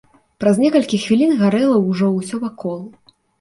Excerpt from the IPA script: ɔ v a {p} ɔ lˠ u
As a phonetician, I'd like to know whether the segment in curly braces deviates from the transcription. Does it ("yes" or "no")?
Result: yes